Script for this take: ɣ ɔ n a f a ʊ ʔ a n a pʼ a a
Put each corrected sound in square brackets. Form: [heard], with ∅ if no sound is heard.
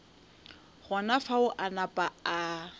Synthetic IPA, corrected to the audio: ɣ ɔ n a f a ʊ ʔ a n a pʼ a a